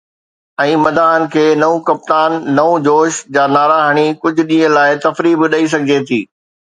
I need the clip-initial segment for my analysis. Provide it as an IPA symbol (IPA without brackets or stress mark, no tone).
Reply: ɛ̃ː